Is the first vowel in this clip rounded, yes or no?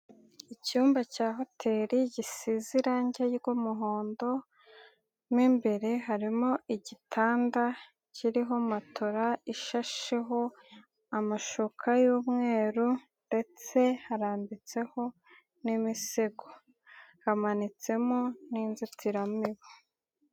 no